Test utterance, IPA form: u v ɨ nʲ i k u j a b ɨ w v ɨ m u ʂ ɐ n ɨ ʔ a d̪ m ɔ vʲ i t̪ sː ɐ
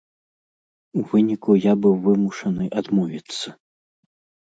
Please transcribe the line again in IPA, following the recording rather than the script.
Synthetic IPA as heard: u v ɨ nʲ i k u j a b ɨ w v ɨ m u ʂ ɐ n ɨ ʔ a d̪ m ɔ vʲ i t̪ sː ɐ